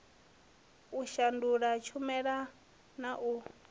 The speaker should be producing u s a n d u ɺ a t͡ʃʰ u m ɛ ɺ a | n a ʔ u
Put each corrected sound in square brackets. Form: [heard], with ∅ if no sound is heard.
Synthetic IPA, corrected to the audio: u [ʃ] a n d u ɺ a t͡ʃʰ u m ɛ ɺ a | n a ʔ u